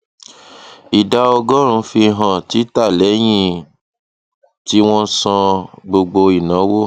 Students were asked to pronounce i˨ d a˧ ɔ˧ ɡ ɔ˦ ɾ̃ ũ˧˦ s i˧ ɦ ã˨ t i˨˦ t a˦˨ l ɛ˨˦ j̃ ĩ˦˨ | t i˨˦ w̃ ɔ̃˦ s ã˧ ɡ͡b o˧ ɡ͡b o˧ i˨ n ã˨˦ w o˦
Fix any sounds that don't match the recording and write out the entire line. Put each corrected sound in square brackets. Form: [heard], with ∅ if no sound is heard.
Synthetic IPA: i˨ d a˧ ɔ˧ ɡ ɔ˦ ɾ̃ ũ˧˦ [f] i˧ ɦ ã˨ t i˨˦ t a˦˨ l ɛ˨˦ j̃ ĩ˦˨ | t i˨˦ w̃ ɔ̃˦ s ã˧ ɡ͡b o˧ ɡ͡b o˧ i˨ n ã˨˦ w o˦